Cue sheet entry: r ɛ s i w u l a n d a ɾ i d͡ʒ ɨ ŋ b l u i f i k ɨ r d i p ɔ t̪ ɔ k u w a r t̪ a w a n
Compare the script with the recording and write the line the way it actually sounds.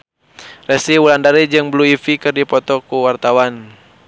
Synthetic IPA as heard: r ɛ s i w u l a n d a ɾ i d͡ʒ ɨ ŋ b l u i f i k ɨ r d i p ɔ t̪ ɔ k u w a r t̪ a w a n